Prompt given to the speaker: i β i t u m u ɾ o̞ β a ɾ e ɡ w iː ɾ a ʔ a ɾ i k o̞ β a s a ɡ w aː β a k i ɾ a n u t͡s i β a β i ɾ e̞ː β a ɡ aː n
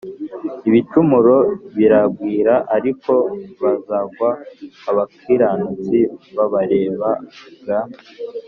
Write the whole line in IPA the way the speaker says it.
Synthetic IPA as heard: i β i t u m u ɾ o̞ β i ɾ a ɡ w iː ɾ a ʔ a ɾ i k o̞ β a z a ɡ w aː β a k i ɾ a n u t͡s i β a β a ɾ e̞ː β a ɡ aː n